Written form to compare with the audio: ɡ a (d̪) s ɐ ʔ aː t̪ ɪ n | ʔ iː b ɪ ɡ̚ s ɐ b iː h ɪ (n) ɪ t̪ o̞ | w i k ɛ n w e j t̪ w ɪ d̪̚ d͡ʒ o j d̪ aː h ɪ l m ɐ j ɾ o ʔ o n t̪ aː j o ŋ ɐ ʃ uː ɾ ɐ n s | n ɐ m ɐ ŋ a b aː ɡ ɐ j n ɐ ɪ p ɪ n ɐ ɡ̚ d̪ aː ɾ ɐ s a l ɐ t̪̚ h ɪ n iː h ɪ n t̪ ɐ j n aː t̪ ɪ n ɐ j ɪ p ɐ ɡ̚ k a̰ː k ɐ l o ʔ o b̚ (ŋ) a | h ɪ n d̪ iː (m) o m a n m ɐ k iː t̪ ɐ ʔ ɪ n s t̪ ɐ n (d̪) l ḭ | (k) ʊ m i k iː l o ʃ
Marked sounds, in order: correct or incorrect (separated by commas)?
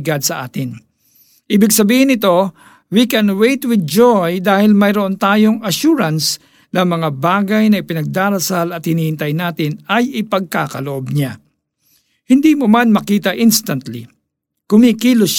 correct, correct, incorrect, correct, incorrect, correct